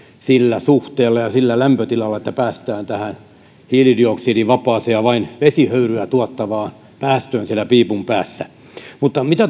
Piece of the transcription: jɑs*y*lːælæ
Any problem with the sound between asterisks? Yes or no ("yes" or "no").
yes